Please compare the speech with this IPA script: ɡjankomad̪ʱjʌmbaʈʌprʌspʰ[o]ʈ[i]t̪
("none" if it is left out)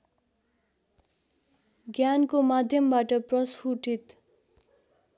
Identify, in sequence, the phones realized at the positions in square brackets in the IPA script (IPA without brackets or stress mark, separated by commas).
u, i